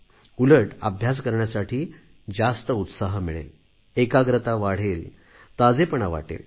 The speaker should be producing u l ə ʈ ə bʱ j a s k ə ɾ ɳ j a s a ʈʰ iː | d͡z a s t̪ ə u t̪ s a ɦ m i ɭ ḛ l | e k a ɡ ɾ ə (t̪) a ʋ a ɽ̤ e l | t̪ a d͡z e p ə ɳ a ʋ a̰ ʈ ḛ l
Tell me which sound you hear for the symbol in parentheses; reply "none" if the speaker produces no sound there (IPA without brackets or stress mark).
t̪